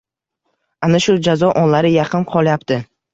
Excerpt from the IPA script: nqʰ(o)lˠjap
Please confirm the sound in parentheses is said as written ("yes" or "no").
no